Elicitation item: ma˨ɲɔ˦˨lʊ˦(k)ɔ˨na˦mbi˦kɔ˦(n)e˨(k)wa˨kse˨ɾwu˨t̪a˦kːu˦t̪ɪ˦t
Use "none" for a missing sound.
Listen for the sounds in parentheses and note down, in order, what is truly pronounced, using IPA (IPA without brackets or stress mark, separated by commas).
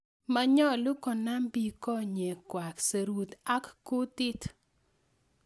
k, ɲ, k